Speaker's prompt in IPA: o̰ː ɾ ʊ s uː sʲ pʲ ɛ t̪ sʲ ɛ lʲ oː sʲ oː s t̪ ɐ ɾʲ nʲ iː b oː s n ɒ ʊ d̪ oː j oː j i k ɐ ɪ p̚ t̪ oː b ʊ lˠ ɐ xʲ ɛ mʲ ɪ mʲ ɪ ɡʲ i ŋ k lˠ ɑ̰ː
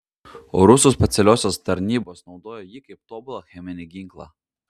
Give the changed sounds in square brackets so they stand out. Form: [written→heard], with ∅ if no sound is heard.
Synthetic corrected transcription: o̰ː ɾ ʊ s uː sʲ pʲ ɛ t̪ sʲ ɛ lʲ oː sʲ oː s t̪ ɐ ɾʲ nʲ iː b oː s n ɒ ʊ d̪ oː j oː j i k ɐ ɪ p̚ t̪ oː b ʊ lˠ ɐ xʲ ɛ mʲ ɪ [mʲ→nʲ] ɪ ɡʲ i ŋ k lˠ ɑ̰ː